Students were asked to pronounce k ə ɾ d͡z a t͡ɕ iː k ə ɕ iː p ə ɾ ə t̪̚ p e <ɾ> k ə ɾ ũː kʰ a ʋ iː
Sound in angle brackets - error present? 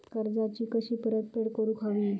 yes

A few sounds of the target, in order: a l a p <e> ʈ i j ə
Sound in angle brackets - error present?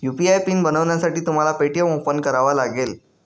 no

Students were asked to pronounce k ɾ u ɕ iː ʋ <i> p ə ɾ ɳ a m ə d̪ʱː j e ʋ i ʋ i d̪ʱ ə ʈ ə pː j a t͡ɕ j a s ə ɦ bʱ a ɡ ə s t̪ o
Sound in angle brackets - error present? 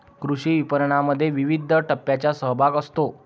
no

